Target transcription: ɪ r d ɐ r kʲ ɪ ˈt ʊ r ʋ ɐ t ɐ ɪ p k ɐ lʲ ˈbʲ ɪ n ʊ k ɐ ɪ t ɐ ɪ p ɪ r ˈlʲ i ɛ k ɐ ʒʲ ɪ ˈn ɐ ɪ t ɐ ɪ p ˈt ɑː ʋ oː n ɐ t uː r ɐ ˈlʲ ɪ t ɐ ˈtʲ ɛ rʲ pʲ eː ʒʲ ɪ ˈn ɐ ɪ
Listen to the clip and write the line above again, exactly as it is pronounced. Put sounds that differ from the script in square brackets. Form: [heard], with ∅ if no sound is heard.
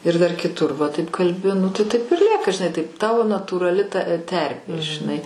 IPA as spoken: ɪ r d ɐ r kʲ ɪ ˈt ʊ r ʋ ɐ t ɐ ɪ p k ɐ lʲ ˈbʲ ɪ n ʊ [t] ɐ ɪ t ɐ ɪ p ɪ r ˈlʲ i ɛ k ɐ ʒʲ ɪ ˈn ɐ ɪ t ɐ ɪ p ˈt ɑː ʋ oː n ɐ t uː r ɐ ˈlʲ ɪ t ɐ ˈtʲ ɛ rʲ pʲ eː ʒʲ ɪ ˈn ɐ ɪ